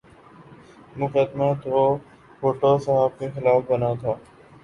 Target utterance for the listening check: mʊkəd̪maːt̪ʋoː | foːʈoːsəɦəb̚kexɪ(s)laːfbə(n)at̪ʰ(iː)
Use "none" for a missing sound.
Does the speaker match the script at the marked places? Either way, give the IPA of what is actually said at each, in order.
none, n, aː

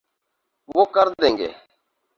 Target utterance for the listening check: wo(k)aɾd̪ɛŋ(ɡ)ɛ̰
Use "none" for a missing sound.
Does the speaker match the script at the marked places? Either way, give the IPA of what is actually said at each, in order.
k, ɡ

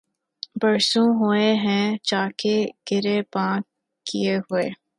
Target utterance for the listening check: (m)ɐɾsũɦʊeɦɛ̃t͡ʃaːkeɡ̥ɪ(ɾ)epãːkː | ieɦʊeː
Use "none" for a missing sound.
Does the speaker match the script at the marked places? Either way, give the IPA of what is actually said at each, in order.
b, ɾ

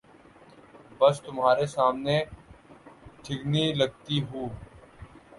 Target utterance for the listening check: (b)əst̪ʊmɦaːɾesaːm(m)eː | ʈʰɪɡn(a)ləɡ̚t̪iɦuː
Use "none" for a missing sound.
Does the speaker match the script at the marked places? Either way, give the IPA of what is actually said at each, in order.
b, n, i

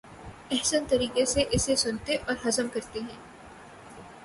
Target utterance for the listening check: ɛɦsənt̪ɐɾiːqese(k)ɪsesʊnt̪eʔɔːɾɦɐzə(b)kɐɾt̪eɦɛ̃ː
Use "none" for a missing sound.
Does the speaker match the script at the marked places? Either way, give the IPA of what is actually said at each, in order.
ʔ, m

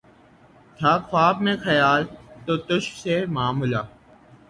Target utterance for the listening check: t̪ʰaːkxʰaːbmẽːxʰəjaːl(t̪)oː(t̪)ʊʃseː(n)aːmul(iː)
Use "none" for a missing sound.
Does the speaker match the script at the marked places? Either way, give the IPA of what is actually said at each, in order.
t̪, t̪, m, aː

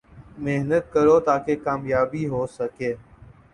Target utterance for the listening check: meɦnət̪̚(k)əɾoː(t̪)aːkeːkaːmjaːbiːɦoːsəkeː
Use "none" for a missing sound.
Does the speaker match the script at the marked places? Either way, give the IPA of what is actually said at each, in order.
k, t̪

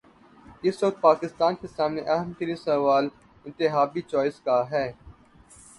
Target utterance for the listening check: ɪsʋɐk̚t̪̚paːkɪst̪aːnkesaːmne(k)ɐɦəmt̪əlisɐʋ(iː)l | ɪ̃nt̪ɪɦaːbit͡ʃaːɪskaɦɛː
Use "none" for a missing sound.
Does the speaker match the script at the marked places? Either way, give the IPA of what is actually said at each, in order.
ʔ, aː

